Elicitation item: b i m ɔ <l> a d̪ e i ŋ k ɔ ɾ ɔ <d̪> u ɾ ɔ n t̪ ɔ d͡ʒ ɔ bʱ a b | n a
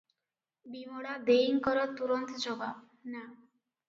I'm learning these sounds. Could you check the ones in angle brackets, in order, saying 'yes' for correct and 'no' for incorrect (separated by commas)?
no, no